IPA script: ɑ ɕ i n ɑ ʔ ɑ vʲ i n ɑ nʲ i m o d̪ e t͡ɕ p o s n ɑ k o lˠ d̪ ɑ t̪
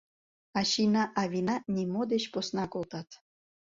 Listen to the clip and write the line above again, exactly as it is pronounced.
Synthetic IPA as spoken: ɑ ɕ i n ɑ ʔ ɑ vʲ i n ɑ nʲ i m o d̪ e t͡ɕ p o s n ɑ k o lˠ t̪ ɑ t̪